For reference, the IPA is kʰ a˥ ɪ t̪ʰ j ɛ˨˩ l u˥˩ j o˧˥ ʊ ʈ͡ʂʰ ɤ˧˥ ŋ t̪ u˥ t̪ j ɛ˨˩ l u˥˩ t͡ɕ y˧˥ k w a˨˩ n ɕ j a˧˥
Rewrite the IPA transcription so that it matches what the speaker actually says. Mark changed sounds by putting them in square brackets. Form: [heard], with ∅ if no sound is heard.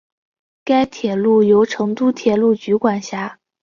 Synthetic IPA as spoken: [k] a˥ ɪ t̪ʰ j ɛ˨˩ l u˥˩ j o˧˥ ʊ ʈ͡ʂʰ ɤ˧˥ ŋ t̪ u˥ [t̪ʰ] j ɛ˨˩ l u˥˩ t͡ɕ y˧˥ k w a˨˩ n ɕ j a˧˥